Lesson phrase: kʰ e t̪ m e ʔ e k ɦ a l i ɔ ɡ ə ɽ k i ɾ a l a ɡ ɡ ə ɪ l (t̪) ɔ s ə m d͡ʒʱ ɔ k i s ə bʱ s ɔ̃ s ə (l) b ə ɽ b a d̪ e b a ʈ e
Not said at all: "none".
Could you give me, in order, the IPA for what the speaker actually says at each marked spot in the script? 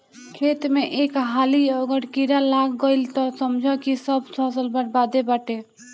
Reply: t̪, l

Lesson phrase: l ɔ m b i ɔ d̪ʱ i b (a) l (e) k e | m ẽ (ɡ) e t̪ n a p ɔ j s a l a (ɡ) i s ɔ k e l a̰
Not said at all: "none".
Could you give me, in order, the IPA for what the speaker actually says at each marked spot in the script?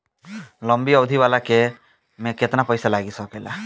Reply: a, a, k, ɡ

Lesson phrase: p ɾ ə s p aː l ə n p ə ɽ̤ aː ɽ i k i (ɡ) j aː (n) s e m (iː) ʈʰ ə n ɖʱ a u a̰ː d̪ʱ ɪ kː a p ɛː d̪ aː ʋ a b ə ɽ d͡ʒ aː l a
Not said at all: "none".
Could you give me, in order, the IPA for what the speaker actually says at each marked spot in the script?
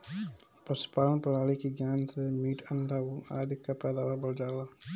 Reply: ɡ, n, iː

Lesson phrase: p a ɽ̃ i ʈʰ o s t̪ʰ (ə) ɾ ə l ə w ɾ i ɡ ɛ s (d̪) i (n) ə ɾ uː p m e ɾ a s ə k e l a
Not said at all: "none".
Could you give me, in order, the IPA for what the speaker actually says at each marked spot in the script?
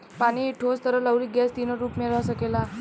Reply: ə, t̪, n

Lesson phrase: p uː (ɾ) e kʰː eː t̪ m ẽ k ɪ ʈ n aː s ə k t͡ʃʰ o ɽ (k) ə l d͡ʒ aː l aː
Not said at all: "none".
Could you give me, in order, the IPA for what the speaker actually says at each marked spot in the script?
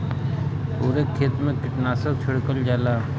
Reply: ɾ, k

